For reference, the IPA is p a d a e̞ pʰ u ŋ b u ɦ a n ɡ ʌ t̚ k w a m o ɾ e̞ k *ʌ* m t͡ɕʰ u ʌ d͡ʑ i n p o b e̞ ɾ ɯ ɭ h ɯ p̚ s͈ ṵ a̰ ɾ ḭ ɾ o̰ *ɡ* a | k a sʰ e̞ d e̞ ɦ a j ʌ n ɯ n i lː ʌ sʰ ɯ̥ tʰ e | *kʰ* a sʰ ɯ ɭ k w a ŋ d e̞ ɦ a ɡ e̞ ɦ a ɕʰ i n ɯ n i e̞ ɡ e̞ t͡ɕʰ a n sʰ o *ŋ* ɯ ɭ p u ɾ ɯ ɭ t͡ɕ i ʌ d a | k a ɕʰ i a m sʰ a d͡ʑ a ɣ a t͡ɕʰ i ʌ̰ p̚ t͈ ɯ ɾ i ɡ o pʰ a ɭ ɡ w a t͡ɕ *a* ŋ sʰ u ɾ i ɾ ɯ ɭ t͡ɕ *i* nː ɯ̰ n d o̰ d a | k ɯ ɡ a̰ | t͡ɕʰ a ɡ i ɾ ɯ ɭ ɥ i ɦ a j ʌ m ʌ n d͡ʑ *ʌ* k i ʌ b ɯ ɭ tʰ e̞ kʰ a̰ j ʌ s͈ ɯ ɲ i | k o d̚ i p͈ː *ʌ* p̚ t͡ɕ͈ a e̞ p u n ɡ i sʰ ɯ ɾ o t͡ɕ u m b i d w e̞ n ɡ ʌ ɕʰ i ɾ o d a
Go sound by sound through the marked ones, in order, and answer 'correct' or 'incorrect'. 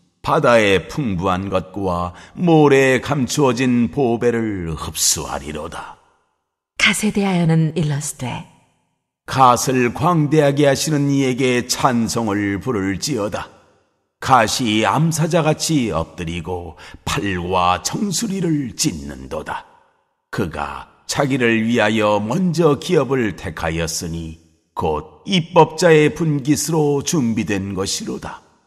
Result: incorrect, incorrect, incorrect, correct, incorrect, correct, correct, correct

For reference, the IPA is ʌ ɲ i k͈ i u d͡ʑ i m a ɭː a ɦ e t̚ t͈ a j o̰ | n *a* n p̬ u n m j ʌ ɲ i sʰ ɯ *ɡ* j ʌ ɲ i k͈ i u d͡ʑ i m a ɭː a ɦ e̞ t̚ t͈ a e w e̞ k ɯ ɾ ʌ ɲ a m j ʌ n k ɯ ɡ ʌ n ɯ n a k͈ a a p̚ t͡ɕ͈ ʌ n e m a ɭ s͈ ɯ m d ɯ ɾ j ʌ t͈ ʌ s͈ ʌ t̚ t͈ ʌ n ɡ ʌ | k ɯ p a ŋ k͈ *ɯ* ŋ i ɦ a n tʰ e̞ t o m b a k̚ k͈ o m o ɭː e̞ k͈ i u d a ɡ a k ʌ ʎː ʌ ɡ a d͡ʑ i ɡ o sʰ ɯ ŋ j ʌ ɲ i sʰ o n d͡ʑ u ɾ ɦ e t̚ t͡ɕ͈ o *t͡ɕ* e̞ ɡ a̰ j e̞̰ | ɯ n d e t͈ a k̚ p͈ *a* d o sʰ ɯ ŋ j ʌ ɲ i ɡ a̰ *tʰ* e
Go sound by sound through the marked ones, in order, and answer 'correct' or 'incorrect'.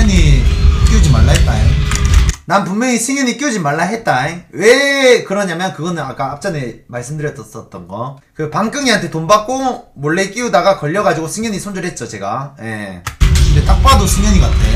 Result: correct, incorrect, correct, correct, correct, correct

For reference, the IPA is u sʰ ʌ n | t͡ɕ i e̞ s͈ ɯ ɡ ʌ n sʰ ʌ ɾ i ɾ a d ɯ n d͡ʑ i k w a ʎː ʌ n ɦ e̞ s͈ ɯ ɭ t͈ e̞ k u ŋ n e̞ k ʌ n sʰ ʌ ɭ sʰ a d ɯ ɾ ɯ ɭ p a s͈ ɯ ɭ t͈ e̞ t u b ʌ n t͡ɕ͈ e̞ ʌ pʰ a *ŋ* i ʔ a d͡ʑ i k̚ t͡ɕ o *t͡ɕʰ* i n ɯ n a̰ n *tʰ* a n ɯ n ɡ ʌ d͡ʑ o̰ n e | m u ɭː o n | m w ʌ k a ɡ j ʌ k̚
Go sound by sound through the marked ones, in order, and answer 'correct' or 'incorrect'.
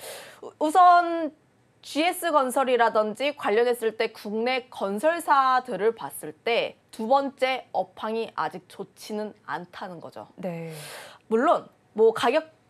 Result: correct, correct, correct

